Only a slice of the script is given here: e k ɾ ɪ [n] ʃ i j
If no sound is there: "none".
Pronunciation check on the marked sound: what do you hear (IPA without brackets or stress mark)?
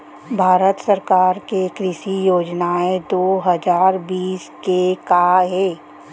none